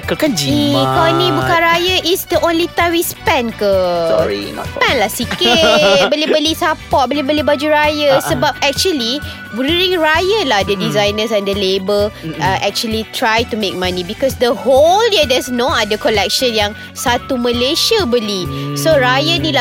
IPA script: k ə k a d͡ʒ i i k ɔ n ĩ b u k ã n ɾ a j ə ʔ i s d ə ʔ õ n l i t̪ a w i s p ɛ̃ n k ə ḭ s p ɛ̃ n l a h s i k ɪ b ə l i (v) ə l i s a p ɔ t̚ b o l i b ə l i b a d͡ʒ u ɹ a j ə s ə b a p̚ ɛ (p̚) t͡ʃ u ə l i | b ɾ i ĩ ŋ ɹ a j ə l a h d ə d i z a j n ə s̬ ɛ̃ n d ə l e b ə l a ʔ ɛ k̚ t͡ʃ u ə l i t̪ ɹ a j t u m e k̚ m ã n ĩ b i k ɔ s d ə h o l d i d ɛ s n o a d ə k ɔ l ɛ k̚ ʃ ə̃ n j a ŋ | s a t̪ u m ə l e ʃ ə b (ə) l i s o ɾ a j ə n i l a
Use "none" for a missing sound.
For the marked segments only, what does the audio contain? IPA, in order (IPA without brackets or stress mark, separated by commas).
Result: b, k̚, ə